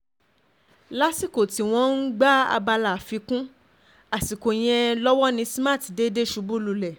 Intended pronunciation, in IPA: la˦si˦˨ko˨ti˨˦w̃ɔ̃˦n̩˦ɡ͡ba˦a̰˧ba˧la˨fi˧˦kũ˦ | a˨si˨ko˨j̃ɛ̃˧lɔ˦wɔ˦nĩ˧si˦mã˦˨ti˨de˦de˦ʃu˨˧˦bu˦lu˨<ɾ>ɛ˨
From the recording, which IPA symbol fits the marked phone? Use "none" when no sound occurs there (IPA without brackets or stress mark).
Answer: l